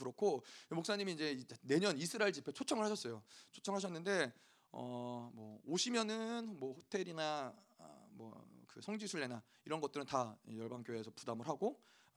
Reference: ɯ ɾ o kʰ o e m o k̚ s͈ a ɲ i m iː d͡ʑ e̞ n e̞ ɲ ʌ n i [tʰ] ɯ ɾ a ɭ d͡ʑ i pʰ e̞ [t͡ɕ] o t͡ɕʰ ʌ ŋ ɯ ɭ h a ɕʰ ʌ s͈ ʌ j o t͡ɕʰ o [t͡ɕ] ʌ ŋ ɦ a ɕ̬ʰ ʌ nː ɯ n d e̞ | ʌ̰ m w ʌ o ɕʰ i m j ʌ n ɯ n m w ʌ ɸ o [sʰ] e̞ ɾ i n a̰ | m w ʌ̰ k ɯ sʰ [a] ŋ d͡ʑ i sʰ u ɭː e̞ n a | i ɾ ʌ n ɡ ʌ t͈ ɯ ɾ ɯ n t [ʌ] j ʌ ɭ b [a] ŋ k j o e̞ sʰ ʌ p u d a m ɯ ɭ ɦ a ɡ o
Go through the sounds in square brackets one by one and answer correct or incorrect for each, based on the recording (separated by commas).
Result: incorrect, incorrect, incorrect, incorrect, incorrect, incorrect, correct